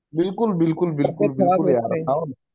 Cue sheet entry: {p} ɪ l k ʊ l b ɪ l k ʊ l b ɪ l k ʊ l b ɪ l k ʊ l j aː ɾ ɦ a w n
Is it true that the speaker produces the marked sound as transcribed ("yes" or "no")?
no